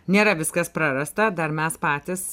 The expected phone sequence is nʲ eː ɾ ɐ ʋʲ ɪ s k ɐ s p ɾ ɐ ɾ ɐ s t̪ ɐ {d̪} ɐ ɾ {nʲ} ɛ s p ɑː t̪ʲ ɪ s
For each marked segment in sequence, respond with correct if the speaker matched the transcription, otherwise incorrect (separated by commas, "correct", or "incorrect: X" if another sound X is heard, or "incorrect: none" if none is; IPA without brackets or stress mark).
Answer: correct, incorrect: mʲ